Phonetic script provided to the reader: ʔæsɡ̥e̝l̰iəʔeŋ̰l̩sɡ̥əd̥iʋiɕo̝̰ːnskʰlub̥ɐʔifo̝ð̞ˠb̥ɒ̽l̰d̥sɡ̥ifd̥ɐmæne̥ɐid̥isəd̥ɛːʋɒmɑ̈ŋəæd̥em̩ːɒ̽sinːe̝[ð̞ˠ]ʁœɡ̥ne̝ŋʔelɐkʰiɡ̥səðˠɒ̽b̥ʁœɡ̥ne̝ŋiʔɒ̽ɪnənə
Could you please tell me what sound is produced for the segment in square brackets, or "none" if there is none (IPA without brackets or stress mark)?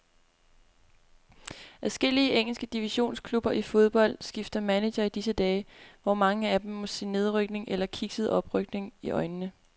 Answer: ð̞ˠ